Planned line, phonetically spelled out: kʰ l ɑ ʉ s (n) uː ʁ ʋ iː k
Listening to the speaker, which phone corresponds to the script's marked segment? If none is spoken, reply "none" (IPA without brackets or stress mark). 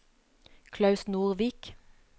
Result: n